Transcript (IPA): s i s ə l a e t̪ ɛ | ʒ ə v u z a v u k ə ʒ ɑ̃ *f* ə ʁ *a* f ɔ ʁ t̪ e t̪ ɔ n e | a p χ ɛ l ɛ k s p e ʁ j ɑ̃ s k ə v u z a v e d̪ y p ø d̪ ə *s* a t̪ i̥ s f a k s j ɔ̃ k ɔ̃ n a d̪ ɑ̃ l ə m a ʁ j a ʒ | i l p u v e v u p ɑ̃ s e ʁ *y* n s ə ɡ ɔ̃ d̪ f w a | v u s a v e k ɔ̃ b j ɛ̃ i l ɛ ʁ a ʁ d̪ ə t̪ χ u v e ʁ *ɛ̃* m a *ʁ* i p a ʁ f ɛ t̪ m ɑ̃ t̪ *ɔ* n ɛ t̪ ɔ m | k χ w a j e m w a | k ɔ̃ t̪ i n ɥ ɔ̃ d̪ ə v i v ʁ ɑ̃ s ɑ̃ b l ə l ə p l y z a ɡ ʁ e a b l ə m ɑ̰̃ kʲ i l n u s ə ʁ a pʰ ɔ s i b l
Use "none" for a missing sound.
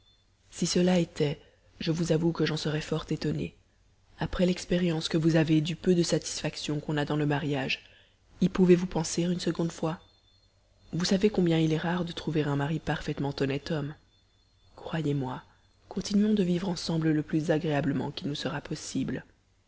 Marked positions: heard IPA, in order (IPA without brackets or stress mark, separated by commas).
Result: s, ɛ, s, y, ɛ̃, ʁ, ɔ